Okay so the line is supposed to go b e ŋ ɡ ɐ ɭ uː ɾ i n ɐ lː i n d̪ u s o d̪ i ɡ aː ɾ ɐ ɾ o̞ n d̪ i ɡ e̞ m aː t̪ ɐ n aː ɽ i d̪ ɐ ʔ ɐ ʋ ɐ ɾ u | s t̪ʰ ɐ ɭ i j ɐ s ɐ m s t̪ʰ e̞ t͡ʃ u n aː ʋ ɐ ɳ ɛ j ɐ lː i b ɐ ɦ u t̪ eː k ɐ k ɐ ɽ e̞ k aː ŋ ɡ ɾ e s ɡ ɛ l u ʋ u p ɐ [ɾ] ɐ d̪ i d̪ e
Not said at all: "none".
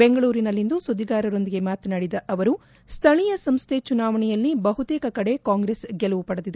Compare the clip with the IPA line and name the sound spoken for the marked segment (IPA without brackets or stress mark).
ɽ